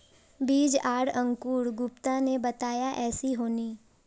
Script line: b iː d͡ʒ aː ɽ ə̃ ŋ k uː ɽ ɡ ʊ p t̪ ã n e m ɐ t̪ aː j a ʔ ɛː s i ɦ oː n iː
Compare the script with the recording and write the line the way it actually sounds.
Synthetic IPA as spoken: b iː d͡ʒ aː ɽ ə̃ ŋ k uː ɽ ɡ ʊ p t̪ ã n e b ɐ t̪ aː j a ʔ ɛː s i ɦ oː n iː